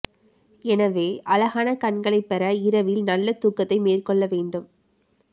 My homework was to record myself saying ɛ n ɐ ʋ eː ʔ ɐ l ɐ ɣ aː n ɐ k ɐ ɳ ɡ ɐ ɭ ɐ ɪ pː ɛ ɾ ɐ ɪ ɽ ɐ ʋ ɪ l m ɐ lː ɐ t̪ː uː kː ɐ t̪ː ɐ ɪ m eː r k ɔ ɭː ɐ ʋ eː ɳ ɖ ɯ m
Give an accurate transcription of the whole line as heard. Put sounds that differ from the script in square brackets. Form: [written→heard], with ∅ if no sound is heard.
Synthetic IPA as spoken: ɛ n ɐ ʋ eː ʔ ɐ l ɐ ɣ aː n ɐ k ɐ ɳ ɡ ɐ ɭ ɐ ɪ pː ɛ ɾ ɐ ɪ [ɽ→ɾ] ɐ ʋ ɪ l [m→n] ɐ lː ɐ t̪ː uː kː ɐ t̪ː ɐ ɪ m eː r k ɔ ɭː ɐ ʋ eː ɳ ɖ ɯ m